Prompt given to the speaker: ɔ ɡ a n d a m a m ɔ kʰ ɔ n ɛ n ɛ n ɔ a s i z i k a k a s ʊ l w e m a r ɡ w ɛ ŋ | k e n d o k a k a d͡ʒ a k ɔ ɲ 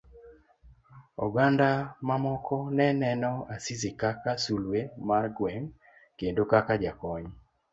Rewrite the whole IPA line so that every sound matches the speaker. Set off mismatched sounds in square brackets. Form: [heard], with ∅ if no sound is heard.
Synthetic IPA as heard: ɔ ɡ a n d a m a m ɔ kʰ ɔ n ɛ n ɛ n ɔ a s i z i k a k a s [u] l w e m a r ɡ w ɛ ŋ | k e n d o k a k a d͡ʒ a k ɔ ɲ